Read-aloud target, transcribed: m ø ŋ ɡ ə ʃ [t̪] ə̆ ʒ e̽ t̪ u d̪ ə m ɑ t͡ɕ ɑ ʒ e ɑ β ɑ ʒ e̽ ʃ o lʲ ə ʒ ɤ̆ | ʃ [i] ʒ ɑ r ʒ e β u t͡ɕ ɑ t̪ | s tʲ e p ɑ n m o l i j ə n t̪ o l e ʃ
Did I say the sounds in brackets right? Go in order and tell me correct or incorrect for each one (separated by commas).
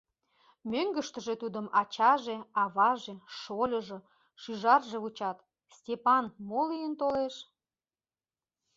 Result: correct, incorrect